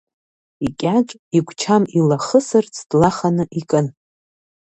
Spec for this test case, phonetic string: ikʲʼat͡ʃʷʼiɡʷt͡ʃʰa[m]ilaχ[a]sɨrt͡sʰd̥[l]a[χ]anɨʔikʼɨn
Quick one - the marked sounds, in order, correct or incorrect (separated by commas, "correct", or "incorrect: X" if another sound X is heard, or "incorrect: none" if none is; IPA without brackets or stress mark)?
correct, incorrect: ə, correct, correct